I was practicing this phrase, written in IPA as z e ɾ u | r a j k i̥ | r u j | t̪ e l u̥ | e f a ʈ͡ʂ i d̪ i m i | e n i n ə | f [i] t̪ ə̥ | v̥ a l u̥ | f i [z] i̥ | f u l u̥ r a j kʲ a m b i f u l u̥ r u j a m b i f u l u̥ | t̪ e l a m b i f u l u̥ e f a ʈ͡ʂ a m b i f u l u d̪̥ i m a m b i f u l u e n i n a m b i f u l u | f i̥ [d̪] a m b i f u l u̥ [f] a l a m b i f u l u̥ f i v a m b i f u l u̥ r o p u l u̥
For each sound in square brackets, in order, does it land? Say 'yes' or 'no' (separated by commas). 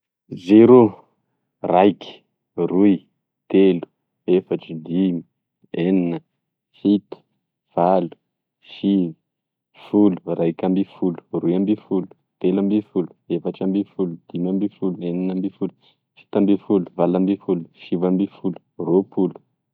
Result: yes, no, no, no